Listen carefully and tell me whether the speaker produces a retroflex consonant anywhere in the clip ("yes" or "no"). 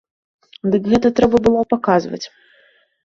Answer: no